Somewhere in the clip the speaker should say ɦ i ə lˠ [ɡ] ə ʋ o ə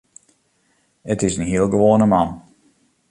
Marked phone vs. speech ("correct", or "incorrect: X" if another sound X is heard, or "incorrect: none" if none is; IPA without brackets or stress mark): correct